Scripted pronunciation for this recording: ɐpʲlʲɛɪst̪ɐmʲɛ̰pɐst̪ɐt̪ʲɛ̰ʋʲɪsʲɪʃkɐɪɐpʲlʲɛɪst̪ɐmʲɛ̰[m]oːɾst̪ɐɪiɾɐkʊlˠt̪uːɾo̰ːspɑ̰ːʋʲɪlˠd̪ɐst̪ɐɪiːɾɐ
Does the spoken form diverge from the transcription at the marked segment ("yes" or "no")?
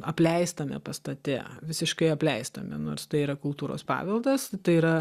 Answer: yes